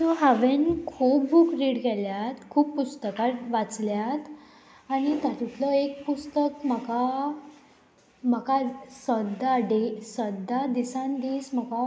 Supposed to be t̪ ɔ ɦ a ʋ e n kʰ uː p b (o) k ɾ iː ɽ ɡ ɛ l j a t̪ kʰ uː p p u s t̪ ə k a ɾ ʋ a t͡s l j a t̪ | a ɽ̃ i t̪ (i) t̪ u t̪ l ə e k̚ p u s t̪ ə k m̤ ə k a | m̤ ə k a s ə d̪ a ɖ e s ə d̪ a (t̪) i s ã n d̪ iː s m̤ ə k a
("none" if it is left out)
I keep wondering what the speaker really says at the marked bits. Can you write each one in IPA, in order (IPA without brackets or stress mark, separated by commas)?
u, a, d̪